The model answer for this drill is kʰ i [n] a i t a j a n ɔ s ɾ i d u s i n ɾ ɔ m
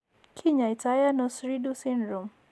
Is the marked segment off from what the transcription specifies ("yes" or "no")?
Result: yes